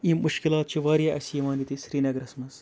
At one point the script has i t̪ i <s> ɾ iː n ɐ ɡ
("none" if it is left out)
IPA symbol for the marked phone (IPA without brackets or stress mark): s